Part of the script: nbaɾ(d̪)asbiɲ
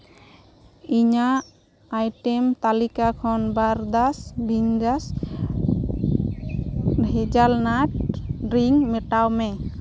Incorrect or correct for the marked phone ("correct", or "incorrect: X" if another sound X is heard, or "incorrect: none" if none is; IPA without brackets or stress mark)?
correct